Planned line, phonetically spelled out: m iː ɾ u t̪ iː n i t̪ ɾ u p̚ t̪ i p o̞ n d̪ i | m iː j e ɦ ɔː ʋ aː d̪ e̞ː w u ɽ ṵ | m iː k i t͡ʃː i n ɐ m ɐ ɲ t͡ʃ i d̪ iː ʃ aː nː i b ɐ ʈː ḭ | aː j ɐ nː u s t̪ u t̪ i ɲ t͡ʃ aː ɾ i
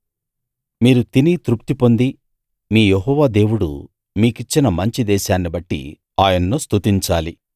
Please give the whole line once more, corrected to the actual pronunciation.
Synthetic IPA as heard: m iː ɾ u t̪ i n i t̪ ɾ u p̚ t̪ i p o̞ n d̪ i | m iː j e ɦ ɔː ʋ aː d̪ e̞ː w u ɽ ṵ | m iː k i t͡ʃː i n ɐ m ɐ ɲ t͡ʃ i d̪ ɛː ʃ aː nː i b ɐ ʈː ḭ | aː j ɐ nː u s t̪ u t̪ i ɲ t͡ʃ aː l i

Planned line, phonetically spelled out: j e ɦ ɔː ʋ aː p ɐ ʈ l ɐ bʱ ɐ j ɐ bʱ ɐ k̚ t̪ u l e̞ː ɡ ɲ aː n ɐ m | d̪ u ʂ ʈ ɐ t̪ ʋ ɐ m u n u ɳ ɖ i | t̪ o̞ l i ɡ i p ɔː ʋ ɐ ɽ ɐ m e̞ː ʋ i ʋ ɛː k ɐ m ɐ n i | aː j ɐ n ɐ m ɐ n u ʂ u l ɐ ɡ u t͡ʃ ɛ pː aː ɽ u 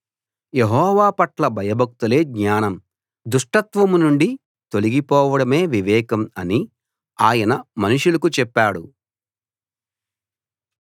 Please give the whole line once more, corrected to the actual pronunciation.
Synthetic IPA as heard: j e ɦ ɔː ʋ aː p ɐ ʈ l ɐ bʱ ɐ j ɐ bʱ ɐ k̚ t̪ u l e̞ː ɡ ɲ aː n ɐ m | d̪ u ʂ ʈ ɐ t̪ ʋ ɐ m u n u ɳ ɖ i | t̪ o̞ l i ɡ i p ɔː ʋ ɐ ɽ ɐ m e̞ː ʋ i ʋ ɛː k ɐ m ɐ n i | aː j ɐ n ɐ m ɐ n u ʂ u l ɐ k u t͡ʃ ɛ pː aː ɽ u

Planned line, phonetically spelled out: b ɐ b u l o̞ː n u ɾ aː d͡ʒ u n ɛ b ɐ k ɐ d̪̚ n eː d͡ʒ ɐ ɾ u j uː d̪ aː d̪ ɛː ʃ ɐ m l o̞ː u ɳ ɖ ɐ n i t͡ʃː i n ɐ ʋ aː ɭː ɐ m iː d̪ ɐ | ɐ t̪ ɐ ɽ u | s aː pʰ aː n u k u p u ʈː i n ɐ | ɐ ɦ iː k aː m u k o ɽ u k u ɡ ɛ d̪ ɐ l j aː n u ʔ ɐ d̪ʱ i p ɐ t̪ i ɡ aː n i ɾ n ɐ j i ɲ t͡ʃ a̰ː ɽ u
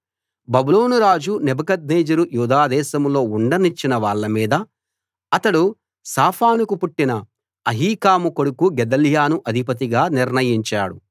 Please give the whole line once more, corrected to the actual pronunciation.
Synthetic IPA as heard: b ɐ b u l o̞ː n u ɾ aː d͡ʒ u n ɛ b ɐ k ɐ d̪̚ n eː d͡ʒ ɐ ɾ u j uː d̪ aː d̪ ɛː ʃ ɐ m l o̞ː u ɳ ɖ ɐ n i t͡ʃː i n ɐ ʋ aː ɭː ɐ m iː d̪ ɐ | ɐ t̪ ɐ ɽ u | s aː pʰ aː n u k u p u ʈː i n ɐ | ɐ ɦ iː k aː m u k o ɽ u k u ɡ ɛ d̪ ɐ l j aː n u ʔ ɐ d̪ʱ i p ɐ t̪ i ɡ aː n i ɾ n ɐ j i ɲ t͡ʃ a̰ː ɽ u

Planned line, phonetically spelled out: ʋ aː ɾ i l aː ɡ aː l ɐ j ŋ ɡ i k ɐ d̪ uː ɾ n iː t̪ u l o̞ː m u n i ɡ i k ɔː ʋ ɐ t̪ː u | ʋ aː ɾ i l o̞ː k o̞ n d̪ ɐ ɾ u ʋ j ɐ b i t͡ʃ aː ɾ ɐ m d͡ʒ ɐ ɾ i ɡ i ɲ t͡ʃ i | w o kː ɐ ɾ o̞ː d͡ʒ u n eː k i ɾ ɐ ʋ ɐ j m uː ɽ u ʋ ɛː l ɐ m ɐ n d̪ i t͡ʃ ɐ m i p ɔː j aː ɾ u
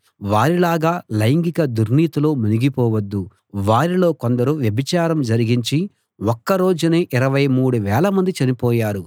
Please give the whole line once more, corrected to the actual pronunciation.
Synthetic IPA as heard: ʋ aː ɾ i l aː ɡ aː l ɐ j ŋ ɡ i k ɐ d̪ u ɾ n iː t̪ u l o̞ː m u n i ɡ i p ɔː ʋ ɐ d̪ː u | ʋ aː ɾ i l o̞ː k o̞ n d̪ ɐ ɾ u ʋ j ɐ b i t͡ʃ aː ɾ ɐ m d͡ʒ ɐ ɾ i ɡ i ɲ t͡ʃ i | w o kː ɐ ɾ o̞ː d͡ʒ u n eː ʔ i ɾ ɐ ʋ ɐ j m uː ɽ u ʋ ɛː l ɐ m ɐ n d̪ i t͡ʃ ɐ n i p ɔː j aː ɾ u

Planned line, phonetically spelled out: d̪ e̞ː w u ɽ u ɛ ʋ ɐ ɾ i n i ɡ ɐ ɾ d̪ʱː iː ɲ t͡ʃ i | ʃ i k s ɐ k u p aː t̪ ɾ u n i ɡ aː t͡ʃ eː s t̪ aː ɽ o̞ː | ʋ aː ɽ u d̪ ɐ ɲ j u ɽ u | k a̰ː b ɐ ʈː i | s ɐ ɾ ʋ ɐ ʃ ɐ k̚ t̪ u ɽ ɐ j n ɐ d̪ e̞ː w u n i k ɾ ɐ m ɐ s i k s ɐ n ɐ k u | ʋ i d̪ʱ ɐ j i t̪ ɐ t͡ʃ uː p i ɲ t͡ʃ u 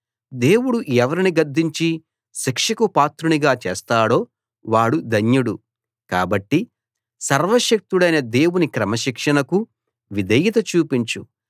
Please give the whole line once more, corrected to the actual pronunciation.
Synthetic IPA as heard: d̪ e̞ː w u ɽ u ɛ ʋ ɐ ɾ i n i ɡ ɐ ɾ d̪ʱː i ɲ t͡ʃ i | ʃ i k ʂ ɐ k u p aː t̪ ɾ u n i ɡ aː t͡ʃ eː s t̪ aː ɽ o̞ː | ʋ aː ɽ u d̪ ɐ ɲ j u ɽ u | k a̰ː b ɐ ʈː i | s ɐ ɾ ʋ ɐ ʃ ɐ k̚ t̪ u ɽ ɐ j n ɐ d̪ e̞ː w u n i k ɾ ɐ m ɐ ʃ i k ʂ ɐ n ɐ k u | ʋ i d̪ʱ ɐ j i t̪ ɐ t͡ʃ uː p i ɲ t͡ʃ u

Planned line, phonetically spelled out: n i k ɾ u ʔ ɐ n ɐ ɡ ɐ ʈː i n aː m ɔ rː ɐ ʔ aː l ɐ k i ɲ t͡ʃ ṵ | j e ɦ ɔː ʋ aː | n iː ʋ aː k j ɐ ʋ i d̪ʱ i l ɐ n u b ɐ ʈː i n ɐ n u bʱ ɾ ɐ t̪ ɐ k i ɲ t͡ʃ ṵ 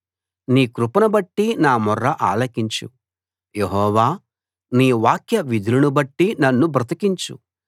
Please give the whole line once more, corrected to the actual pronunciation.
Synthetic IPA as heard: n iː k ɾ u p ɐ n ɐ b ɐ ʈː i n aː m ɔ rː ɐ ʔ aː l ɐ k i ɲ t͡ʃ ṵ | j e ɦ ɔː ʋ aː | n iː ʋ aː k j ɐ ʋ i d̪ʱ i l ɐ n u b ɐ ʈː i n ɐ nː u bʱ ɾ ɐ t̪ ɐ k i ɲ t͡ʃ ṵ

